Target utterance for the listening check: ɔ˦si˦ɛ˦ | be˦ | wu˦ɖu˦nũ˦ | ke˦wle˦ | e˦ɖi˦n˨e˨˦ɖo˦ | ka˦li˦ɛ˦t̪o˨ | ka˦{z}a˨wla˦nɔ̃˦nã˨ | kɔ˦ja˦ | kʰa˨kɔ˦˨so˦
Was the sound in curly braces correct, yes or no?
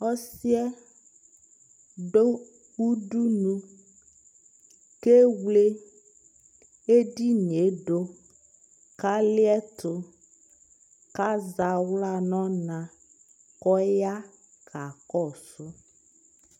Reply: yes